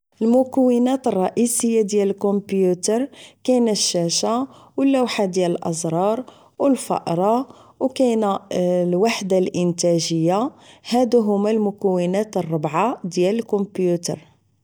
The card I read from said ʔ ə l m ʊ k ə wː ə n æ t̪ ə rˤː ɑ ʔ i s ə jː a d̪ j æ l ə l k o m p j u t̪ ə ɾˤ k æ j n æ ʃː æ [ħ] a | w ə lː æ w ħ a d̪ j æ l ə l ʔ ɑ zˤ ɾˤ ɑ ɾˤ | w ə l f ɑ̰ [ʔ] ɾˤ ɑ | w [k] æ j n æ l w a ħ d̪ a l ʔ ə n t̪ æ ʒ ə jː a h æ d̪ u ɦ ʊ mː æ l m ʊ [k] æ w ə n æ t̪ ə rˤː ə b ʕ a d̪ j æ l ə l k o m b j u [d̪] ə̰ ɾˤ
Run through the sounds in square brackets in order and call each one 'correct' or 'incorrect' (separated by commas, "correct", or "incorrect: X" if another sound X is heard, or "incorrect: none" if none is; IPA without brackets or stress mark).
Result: incorrect: ʃ, correct, correct, correct, incorrect: t̪